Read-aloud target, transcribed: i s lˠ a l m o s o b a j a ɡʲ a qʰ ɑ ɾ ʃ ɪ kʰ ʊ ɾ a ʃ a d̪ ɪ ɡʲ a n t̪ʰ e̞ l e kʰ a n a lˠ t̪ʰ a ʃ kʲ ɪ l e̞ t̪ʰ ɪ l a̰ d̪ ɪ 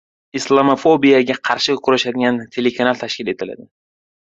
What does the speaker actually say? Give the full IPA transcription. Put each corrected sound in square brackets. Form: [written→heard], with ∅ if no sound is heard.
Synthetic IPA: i s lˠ a [l→∅] m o [s→f] o b [a→i] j a ɡʲ a qʰ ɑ ɾ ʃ ɪ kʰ ʊ ɾ a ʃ a d̪ ɪ ɡʲ a n t̪ʰ e̞ l e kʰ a n a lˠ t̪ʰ a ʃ kʲ ɪ l e̞ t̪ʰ ɪ l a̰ d̪ ɪ

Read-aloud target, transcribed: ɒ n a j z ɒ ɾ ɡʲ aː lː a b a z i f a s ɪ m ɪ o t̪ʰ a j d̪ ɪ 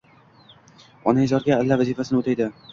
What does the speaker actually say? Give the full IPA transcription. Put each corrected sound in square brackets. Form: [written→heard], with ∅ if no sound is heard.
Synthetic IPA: ɒ n a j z ɒ ɾ ɡʲ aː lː a [b→v] a z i f a s ɪ [m→n] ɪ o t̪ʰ a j d̪ ɪ

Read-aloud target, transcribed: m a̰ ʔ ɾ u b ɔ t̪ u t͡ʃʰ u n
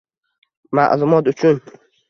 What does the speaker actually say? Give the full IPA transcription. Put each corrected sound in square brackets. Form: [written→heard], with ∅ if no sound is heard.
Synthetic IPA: m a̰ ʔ [ɾ→l] u [b→m] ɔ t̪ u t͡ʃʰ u n

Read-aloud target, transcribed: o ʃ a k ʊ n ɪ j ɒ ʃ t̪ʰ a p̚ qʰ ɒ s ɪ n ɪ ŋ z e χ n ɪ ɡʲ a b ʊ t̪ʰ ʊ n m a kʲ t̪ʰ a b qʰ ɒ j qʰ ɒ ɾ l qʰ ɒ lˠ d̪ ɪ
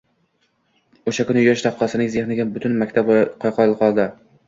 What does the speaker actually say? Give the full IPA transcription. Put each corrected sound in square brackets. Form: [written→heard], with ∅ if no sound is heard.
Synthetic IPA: o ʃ a k ʊ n ɪ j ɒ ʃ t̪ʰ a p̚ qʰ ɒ s ɪ n ɪ ŋ z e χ n ɪ ɡʲ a b ʊ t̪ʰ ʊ n m a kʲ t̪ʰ a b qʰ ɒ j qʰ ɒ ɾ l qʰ ɒ lˠ d̪ ɪ

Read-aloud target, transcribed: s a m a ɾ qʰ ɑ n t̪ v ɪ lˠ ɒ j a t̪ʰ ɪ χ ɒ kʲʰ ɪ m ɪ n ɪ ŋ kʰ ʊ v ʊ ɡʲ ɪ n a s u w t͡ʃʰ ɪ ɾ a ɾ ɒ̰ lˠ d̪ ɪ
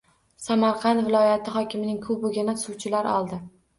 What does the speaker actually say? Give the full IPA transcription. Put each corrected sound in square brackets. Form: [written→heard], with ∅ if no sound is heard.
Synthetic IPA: s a m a ɾ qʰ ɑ n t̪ v ɪ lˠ ɒ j a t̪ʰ ɪ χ ɒ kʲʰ ɪ m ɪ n ɪ ŋ kʰ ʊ [v→b] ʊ ɡʲ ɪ n a s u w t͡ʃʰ ɪ [ɾ→l] a ɾ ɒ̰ lˠ d̪ ɪ

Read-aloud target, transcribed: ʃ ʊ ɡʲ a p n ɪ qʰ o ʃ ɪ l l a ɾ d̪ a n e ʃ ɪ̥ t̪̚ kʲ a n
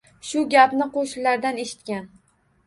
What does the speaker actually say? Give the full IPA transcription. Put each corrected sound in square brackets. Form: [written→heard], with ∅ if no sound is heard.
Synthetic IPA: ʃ ʊ ɡʲ a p n ɪ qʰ o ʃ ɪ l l a ɾ d̪ a n e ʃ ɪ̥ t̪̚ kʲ a n

